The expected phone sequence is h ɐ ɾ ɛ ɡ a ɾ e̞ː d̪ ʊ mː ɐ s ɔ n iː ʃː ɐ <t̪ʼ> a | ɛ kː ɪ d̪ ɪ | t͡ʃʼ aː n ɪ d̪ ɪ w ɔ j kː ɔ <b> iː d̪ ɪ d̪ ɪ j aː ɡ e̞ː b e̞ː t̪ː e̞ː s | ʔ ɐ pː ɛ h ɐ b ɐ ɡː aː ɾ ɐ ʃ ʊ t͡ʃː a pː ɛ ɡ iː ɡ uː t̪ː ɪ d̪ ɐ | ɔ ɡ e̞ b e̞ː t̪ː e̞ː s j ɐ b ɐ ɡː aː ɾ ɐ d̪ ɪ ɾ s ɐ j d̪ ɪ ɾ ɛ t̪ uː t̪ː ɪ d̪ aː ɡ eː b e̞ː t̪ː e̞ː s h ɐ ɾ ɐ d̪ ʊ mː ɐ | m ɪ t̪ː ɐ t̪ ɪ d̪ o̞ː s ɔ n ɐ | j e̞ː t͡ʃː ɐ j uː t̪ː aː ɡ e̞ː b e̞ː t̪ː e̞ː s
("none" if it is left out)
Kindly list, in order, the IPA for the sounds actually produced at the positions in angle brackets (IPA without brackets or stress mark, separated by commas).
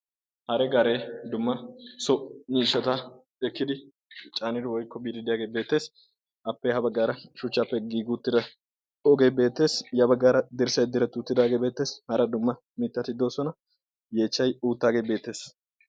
t̪, b